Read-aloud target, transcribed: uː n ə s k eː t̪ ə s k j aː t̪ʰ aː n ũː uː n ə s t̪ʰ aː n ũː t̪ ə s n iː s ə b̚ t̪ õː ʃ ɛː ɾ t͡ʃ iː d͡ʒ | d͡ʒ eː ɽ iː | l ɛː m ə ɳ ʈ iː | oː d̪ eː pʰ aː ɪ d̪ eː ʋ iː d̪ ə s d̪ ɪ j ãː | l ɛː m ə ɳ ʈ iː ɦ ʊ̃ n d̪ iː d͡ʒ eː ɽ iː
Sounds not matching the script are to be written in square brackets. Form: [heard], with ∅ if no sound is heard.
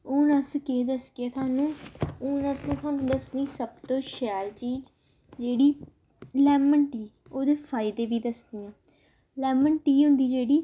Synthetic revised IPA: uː n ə s k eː [d̪] ə s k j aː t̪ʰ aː n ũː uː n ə s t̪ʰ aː n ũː [d̪] ə s n iː s ə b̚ t̪ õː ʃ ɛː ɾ t͡ʃ iː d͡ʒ | d͡ʒ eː ɽ iː | l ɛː m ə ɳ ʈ iː | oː d̪ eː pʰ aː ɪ d̪ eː ʋ iː d̪ ə s d̪ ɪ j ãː | l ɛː m ə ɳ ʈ iː ɦ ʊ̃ n d̪ iː d͡ʒ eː ɽ iː